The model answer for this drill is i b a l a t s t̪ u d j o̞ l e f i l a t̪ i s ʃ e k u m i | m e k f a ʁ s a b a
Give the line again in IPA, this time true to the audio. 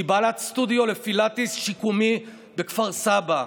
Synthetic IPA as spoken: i b a l a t s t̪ u d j o̞ l e f i l a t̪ i s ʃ i k u m i | b e k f a ʁ s a b a